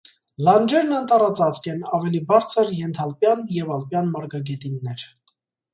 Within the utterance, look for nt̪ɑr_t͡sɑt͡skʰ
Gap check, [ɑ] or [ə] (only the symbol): ɑ